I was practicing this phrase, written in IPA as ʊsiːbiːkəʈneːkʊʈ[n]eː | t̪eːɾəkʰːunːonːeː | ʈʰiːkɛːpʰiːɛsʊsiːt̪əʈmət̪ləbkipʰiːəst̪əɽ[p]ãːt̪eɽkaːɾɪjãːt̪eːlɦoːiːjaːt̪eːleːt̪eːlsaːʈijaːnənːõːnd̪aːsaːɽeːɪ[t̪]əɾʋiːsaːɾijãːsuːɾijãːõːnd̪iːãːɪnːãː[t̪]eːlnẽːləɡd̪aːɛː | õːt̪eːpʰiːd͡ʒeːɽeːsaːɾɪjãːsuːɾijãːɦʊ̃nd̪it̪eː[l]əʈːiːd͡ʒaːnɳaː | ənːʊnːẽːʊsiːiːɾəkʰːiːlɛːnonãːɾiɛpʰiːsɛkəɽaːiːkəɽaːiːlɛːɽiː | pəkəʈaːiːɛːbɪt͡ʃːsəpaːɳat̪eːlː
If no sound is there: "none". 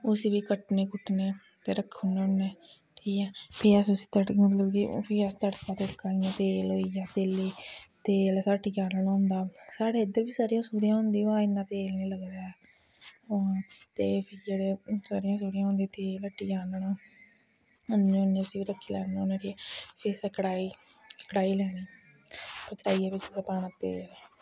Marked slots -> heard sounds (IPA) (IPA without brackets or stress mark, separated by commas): n, k, d̪, t̪, l